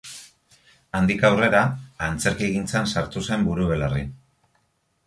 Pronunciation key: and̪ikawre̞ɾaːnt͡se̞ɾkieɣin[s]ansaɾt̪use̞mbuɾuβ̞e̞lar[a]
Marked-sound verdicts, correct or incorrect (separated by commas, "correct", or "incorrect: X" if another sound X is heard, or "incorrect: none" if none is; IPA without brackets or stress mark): incorrect: t͡s, incorrect: i